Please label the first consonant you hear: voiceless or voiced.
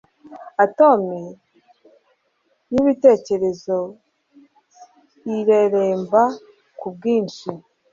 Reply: voiceless